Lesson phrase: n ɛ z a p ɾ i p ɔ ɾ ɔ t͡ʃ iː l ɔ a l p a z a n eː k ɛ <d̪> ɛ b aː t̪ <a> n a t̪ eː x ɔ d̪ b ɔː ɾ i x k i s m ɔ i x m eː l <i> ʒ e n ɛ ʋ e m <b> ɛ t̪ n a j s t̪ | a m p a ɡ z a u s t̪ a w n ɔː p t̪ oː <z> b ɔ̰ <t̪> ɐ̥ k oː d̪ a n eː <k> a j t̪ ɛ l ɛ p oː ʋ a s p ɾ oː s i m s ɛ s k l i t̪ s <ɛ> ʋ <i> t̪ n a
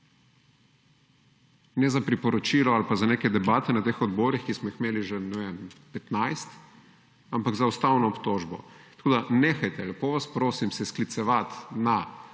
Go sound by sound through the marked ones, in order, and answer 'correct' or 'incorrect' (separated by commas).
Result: correct, incorrect, correct, incorrect, incorrect, correct, incorrect, correct, incorrect